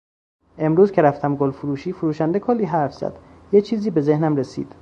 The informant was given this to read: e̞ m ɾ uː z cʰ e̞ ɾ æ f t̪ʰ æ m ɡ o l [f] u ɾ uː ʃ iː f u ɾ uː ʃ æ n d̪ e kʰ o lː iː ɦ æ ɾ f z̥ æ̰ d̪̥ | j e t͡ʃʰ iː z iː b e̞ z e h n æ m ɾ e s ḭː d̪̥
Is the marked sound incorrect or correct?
correct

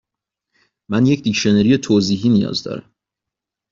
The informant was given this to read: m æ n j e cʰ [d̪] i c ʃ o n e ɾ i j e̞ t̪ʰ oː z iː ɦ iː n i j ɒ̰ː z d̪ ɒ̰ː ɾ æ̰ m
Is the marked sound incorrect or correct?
correct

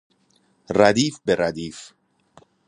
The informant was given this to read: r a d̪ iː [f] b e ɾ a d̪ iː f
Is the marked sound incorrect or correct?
correct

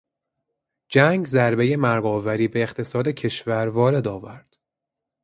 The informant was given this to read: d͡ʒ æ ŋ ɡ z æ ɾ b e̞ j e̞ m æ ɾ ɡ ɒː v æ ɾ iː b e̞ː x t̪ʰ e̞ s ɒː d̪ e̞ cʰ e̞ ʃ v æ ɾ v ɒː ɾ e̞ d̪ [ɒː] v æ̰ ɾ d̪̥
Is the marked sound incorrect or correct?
correct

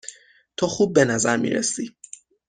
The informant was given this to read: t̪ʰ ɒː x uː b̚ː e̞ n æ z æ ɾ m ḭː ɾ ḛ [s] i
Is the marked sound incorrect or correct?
correct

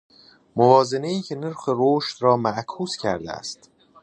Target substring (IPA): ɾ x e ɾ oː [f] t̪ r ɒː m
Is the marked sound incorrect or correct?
incorrect: ʃ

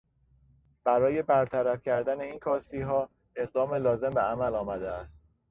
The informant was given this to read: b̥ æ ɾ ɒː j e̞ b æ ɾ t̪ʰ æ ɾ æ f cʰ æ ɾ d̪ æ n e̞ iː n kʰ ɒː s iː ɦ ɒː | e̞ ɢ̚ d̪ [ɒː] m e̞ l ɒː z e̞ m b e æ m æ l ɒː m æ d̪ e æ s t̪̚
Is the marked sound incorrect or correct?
correct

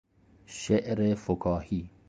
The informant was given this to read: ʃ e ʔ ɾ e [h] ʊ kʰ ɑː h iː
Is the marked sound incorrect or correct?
incorrect: f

